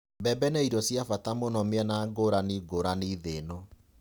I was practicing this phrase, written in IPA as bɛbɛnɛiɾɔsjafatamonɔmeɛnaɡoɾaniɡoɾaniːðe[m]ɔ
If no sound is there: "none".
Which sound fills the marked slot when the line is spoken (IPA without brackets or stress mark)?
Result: n